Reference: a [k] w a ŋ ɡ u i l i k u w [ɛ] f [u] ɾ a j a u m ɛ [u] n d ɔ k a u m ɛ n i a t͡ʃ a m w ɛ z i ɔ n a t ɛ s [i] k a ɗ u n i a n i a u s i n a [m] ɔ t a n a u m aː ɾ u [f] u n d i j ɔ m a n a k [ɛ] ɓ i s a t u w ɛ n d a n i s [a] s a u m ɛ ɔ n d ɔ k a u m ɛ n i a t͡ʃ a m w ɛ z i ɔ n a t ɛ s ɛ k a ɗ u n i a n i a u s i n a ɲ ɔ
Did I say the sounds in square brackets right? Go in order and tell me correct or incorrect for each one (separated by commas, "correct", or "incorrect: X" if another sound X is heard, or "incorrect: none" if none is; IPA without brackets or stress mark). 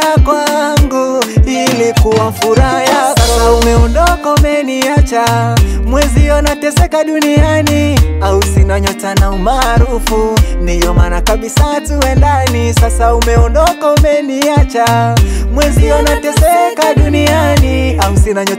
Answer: correct, incorrect: a, correct, incorrect: ɔ, incorrect: ɛ, incorrect: ɲ, correct, incorrect: a, correct